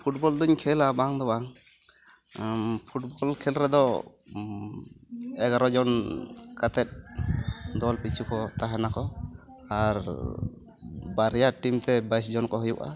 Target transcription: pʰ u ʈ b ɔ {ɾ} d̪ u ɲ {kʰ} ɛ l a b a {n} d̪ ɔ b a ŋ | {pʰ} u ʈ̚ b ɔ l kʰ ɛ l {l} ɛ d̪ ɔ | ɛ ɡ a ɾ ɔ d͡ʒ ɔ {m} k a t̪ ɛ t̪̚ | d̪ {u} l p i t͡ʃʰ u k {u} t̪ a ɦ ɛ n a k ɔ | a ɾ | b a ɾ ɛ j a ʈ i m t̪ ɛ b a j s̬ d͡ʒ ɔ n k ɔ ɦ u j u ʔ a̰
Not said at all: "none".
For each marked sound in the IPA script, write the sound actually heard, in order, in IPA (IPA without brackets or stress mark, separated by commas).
l, kʰ, ŋ, pʰ, ɾ, n, ɔ, ɔ